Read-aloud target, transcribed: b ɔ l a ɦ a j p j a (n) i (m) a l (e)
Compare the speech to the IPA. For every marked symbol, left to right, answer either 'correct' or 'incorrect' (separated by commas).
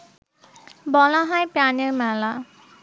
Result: correct, correct, incorrect